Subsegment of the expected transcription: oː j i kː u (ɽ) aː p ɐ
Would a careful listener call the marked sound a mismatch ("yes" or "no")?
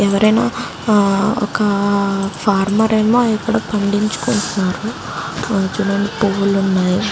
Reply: no